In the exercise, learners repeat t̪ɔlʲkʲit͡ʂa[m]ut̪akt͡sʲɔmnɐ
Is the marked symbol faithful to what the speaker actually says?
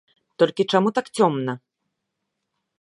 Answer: yes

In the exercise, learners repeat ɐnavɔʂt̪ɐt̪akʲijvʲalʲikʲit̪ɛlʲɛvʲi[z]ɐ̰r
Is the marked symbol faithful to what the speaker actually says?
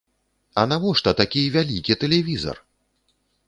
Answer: yes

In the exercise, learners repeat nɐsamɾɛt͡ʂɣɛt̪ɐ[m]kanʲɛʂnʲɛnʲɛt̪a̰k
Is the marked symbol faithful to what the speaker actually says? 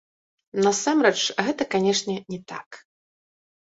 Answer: no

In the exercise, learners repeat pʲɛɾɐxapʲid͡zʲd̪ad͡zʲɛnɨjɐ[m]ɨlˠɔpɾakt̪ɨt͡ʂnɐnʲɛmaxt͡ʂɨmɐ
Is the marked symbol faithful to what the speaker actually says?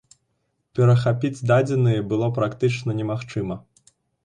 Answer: no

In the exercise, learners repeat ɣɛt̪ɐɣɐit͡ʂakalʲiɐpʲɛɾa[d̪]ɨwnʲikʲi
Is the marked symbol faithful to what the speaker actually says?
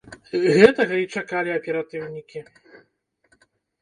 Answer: no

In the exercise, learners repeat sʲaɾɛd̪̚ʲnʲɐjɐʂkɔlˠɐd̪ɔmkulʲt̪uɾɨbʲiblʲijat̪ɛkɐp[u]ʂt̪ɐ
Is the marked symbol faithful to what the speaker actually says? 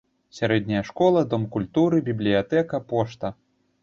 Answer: no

